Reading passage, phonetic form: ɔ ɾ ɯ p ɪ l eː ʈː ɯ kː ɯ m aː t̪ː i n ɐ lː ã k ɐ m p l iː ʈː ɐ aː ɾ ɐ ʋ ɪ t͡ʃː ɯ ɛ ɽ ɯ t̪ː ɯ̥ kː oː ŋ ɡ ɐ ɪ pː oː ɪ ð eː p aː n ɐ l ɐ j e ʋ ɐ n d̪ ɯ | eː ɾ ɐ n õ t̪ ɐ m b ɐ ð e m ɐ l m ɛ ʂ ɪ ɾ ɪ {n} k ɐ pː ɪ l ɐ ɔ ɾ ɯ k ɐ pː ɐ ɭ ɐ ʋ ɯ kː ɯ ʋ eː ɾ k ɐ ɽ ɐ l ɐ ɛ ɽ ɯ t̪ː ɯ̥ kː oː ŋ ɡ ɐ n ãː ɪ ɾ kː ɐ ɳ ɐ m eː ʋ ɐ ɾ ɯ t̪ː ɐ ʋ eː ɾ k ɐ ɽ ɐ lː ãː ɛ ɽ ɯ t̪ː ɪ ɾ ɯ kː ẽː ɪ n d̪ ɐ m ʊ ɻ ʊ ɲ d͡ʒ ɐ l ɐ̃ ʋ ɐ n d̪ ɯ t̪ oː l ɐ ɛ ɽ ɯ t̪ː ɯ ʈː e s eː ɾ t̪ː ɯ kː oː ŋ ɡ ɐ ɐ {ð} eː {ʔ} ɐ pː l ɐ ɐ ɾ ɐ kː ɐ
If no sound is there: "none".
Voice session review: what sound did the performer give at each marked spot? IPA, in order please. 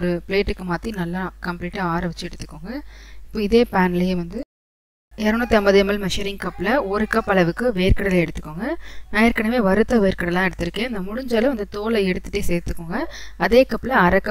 ŋ, ð, k

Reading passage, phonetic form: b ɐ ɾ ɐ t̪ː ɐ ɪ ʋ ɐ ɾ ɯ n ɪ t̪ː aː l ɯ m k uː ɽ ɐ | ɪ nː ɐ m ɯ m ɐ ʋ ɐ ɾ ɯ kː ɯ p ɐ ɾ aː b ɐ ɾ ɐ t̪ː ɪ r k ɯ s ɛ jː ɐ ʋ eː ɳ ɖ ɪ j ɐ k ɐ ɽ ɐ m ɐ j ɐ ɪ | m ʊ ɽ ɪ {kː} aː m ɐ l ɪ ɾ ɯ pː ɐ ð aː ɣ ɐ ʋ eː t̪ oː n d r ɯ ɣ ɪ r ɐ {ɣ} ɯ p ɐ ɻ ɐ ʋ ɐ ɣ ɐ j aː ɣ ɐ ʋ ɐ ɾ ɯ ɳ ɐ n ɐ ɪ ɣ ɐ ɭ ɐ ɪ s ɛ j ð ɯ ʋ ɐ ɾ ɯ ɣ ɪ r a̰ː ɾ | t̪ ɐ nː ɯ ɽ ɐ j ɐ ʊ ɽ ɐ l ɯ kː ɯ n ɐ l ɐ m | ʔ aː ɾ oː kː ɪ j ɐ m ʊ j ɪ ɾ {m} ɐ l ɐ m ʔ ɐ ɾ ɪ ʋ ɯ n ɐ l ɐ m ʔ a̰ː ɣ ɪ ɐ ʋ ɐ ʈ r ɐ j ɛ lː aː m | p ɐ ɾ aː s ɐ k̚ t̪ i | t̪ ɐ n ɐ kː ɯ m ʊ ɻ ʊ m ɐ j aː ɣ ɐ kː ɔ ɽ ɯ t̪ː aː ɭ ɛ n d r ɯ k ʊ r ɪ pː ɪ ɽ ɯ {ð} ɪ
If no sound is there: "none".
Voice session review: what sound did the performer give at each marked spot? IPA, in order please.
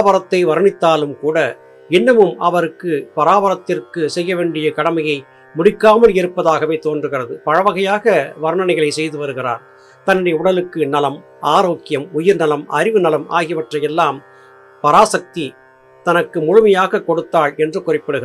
kː, ð, n, ɣ

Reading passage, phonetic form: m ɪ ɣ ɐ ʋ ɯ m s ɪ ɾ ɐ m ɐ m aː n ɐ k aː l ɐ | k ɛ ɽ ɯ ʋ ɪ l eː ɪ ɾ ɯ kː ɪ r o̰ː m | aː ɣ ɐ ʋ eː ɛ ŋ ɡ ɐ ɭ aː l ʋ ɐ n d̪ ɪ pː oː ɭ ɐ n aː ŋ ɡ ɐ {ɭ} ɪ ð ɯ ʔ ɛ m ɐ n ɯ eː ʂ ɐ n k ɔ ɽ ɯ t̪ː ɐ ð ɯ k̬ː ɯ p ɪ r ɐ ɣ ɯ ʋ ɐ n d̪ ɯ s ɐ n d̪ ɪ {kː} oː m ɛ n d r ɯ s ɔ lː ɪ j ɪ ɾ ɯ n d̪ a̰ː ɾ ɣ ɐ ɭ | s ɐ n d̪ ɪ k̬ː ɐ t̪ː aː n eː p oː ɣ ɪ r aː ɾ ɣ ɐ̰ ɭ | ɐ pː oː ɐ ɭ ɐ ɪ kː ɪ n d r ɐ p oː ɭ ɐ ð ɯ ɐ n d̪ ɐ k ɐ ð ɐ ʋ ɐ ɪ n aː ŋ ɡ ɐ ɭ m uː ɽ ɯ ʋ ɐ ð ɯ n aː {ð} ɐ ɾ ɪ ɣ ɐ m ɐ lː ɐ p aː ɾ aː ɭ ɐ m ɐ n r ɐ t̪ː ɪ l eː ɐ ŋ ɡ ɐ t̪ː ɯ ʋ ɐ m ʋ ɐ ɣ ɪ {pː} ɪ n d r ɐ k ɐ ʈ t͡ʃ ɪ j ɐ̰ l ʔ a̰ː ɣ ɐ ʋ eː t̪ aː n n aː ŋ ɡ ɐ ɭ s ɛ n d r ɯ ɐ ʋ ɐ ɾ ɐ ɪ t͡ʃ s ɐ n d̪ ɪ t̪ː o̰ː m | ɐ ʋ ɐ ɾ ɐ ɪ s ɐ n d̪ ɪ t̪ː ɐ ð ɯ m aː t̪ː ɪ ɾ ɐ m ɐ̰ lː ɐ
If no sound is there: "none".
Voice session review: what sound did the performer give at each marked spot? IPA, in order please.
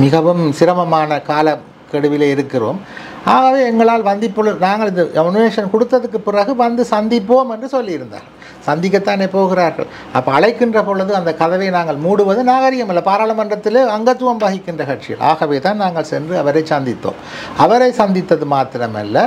ɭ, pː, ɣ, kː

